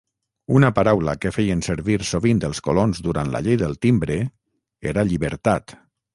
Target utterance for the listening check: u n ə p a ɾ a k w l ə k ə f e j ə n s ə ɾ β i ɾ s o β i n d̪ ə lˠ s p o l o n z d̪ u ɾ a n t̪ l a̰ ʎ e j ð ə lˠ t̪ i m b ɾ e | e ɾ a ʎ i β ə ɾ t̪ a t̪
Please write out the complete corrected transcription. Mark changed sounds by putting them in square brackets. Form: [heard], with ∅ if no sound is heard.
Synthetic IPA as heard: u n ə p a ɾ a [∅] w l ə k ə f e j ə n s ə ɾ β i ɾ s o β i n d̪ ə lˠ s [k] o l o n z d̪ u ɾ a n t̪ l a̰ ʎ e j ð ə lˠ t̪ i m b ɾ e | e ɾ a ʎ i β ə ɾ t̪ a t̪